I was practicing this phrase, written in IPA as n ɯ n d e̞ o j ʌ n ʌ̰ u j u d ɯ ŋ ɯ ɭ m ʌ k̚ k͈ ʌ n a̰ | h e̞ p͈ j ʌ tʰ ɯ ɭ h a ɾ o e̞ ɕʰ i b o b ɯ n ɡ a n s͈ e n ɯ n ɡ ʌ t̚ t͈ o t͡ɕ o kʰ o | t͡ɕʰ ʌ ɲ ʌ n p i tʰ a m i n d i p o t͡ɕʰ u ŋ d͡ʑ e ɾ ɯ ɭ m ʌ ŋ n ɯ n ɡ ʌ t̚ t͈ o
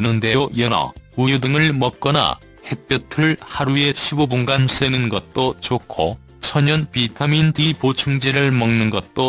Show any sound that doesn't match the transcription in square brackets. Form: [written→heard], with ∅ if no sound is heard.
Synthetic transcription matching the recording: n ɯ n d e̞ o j ʌ n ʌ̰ u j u d ɯ ŋ ɯ ɭ m ʌ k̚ k͈ ʌ n a̰ | h e̞ p͈ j ʌ tʰ ɯ ɭ h a ɾ [o→u] e̞ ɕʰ i b o b [ɯ→u] n ɡ a n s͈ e n ɯ n ɡ ʌ t̚ t͈ o t͡ɕ o kʰ o | t͡ɕʰ ʌ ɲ ʌ n p i tʰ a m i n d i p o t͡ɕʰ u ŋ d͡ʑ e ɾ ɯ ɭ m ʌ ŋ n ɯ n ɡ ʌ t̚ t͈ o